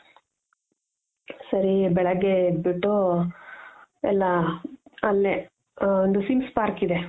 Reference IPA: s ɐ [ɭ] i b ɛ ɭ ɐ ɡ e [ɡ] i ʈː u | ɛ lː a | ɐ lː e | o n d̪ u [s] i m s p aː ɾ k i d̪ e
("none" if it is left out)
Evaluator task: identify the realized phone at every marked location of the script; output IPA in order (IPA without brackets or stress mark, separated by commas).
ɾ, b, s